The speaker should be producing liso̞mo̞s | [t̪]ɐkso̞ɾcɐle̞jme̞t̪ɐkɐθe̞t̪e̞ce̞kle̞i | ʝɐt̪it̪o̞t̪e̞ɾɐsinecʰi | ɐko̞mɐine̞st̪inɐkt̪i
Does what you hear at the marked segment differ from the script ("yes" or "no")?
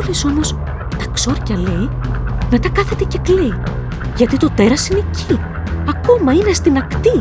no